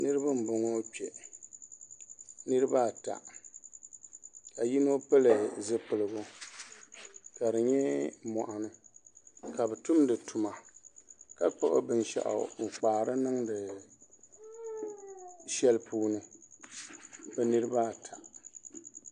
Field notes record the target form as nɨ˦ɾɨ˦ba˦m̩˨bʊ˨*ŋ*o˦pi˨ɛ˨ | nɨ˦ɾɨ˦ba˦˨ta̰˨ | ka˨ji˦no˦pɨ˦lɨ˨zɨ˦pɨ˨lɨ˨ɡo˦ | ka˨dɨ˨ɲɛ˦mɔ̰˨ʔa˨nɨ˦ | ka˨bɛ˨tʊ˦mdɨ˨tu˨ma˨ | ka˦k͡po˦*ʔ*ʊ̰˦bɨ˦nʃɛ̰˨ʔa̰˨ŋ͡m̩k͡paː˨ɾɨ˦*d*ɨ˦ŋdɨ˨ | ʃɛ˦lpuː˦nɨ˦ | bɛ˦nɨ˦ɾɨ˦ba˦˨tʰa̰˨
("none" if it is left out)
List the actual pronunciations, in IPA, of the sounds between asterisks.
ŋ, ʔ, n

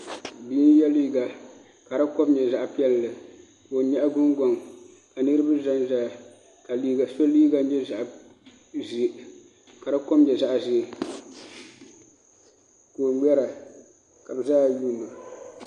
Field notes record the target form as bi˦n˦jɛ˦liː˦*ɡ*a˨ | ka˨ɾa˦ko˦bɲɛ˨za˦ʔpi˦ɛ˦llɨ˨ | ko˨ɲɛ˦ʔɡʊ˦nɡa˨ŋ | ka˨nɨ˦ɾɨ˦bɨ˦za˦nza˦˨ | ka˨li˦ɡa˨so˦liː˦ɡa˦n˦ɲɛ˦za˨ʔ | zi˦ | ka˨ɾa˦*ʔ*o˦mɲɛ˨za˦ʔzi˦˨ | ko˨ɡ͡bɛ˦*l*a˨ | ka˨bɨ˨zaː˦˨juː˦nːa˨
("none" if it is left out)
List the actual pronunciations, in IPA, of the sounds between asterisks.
ɡ, k, ɾ

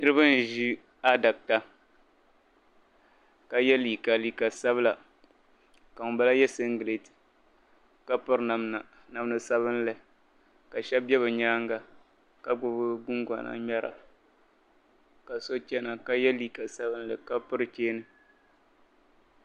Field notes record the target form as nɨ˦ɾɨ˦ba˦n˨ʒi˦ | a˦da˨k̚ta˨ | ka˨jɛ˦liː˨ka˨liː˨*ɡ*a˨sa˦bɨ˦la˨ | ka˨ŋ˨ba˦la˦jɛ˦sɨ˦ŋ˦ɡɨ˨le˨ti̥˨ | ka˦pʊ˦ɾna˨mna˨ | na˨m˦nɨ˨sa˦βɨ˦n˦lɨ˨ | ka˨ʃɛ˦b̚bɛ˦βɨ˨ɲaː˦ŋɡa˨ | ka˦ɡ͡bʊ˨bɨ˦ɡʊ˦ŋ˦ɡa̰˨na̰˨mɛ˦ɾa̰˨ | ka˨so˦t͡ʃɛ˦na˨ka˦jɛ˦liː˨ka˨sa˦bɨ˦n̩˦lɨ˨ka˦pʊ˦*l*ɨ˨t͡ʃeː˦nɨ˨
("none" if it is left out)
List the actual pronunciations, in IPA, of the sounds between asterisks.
k, ɾ

